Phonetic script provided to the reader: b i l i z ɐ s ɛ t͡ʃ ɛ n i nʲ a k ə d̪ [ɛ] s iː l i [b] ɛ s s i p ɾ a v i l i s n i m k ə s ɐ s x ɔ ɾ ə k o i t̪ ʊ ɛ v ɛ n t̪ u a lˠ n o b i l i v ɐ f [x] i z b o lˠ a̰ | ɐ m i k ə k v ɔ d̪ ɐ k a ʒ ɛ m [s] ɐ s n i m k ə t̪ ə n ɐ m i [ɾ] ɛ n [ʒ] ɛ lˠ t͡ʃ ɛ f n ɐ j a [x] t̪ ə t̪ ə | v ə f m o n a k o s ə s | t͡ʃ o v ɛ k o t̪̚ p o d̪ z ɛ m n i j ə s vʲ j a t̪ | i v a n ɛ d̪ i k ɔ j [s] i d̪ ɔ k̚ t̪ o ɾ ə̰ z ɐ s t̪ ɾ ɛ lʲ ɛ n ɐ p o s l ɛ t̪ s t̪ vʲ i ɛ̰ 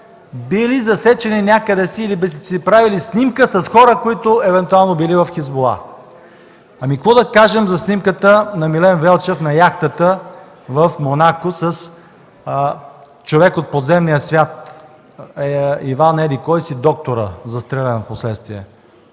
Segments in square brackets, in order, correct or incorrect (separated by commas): correct, correct, correct, incorrect, incorrect, incorrect, correct, correct